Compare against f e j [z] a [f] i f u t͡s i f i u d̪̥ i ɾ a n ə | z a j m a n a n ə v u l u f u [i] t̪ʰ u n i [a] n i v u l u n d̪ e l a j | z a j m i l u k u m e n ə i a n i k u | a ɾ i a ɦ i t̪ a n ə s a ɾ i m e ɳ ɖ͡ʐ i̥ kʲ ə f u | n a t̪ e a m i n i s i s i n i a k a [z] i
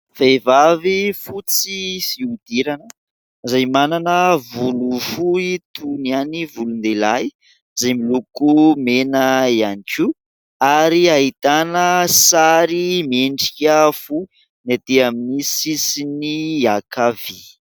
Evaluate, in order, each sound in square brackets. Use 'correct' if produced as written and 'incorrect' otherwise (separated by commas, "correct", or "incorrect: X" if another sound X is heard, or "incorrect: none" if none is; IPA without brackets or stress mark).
incorrect: v, incorrect: v, correct, correct, incorrect: v